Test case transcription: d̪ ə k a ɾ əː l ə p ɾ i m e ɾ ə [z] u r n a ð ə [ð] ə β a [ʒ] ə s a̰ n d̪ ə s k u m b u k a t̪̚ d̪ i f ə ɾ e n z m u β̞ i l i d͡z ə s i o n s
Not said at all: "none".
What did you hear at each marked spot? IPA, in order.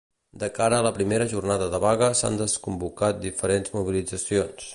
ʒ, ð, ɣ

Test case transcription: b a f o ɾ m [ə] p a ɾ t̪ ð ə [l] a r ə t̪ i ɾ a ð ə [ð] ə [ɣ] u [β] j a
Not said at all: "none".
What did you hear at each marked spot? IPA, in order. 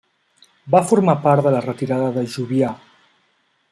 a, l, ð, ʒ, β

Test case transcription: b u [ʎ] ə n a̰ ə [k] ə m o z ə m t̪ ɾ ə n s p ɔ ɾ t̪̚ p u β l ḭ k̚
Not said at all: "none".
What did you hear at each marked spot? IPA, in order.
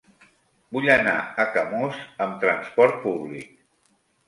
ʎ, k

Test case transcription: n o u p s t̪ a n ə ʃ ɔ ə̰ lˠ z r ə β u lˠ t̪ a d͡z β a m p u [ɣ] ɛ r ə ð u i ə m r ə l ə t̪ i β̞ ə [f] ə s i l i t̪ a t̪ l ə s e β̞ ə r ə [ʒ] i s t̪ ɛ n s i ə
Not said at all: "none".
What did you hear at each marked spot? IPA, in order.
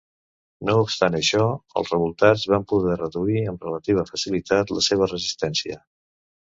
ð, f, z

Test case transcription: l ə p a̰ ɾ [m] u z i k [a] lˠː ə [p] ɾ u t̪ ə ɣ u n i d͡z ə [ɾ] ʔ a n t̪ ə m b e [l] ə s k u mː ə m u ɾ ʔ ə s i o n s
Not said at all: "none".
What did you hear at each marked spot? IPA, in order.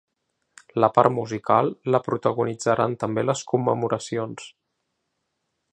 m, a, p, ɾ, l

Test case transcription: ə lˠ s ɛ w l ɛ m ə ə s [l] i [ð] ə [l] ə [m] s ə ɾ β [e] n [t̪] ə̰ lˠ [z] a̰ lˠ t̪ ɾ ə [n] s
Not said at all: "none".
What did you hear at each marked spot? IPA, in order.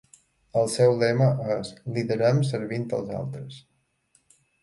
l, ð, ɾ, m, i, t̪, z, none

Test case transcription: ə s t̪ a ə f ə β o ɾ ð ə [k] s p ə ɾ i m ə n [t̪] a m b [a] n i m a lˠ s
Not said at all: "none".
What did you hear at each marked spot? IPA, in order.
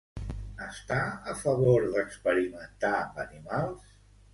k, t̪, ə

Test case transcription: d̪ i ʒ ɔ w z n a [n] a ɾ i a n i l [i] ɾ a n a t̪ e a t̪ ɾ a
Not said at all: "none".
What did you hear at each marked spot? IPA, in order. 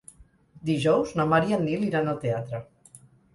m, i

